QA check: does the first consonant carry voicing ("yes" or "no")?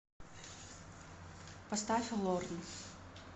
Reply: no